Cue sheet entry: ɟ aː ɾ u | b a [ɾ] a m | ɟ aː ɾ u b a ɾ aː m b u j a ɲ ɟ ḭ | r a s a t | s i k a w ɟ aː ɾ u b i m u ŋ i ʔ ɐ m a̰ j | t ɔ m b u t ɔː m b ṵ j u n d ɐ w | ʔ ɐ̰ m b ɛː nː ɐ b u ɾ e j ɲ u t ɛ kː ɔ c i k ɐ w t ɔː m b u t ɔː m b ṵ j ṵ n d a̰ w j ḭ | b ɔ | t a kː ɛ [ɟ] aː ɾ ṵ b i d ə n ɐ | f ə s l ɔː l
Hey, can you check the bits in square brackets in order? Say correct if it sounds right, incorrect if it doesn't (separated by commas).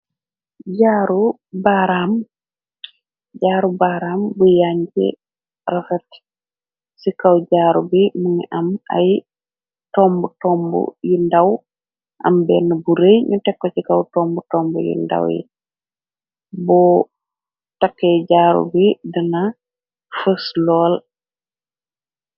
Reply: correct, correct